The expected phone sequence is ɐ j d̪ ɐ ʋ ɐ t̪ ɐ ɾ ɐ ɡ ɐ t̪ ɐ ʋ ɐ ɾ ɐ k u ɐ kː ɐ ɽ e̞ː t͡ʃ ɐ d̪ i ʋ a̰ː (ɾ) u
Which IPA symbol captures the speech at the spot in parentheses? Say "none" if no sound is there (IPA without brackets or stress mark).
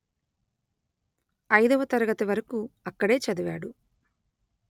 ɽ